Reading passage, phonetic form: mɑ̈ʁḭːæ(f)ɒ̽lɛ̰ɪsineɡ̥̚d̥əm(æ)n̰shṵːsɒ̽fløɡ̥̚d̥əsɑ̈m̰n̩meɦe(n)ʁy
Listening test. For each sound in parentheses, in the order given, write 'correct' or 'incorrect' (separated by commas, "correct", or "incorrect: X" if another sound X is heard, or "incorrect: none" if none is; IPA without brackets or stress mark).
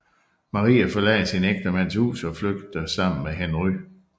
correct, correct, correct